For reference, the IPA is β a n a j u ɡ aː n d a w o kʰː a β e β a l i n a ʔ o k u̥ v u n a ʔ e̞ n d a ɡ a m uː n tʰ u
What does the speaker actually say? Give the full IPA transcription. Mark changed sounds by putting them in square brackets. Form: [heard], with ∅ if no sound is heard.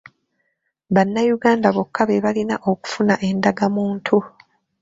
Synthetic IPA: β a [nː] a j u ɡ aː n d a [β] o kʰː a β e β a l i n a ʔ o k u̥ [f] u n a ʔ e̞ n d a ɡ a m uː n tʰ u